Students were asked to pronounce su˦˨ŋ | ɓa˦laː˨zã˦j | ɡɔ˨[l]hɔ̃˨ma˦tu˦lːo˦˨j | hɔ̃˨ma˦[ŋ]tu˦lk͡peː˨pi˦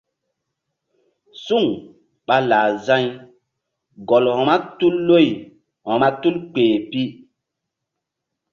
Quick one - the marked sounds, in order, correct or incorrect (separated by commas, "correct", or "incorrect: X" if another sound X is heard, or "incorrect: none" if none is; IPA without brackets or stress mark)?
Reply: correct, incorrect: none